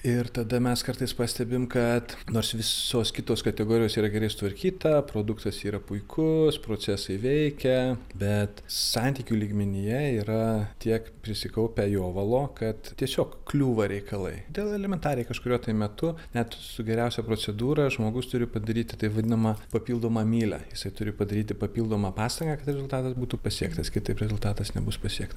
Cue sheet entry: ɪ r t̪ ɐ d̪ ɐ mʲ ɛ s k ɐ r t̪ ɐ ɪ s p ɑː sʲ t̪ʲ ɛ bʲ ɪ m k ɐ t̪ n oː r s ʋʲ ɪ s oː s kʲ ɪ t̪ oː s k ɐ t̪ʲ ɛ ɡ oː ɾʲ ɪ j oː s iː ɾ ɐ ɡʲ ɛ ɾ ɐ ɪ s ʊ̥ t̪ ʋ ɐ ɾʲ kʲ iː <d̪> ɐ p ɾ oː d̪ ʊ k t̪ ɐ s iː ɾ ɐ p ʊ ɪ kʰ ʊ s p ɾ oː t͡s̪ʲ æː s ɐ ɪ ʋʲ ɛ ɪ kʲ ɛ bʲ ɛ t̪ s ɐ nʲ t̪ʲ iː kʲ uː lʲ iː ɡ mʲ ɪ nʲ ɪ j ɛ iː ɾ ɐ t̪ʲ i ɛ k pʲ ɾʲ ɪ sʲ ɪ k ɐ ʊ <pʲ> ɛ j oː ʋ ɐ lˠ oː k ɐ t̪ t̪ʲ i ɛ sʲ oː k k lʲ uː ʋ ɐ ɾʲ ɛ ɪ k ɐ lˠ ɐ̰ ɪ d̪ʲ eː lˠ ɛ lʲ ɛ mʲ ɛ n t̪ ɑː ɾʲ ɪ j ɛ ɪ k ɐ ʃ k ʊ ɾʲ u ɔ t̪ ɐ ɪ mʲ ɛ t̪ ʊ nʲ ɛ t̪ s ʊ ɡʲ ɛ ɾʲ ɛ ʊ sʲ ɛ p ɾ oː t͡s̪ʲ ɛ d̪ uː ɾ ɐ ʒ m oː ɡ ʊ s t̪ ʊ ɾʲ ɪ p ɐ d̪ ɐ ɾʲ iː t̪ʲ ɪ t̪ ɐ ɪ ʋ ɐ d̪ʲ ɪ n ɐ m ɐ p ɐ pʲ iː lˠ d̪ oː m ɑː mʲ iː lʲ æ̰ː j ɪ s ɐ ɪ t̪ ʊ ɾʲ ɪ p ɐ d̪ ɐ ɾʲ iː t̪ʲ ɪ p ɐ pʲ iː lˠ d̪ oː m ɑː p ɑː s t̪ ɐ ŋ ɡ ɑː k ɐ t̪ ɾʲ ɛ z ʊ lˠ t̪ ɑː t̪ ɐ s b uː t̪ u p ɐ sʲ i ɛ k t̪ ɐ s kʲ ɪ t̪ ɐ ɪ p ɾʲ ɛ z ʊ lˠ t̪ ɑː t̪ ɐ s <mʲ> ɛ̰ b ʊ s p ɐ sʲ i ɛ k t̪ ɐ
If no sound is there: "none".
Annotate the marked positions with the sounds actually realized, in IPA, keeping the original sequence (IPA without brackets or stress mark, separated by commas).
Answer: t̪, pʲ, nʲ